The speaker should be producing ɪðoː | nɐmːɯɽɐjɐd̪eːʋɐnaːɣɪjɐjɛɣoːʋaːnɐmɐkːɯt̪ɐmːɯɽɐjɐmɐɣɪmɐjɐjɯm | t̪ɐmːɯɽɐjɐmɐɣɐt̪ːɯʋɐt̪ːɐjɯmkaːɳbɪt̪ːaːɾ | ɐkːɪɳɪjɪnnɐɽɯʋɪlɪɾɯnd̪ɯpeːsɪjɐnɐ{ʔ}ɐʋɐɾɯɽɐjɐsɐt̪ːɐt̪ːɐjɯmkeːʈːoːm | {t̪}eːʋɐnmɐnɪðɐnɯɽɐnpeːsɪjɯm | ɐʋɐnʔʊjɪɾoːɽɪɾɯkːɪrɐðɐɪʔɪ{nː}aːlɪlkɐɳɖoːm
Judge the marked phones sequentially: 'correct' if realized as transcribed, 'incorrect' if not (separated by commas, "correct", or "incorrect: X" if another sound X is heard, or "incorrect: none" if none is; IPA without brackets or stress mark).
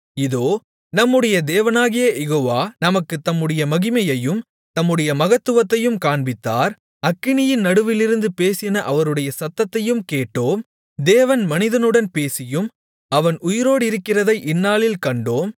correct, incorrect: d̪, correct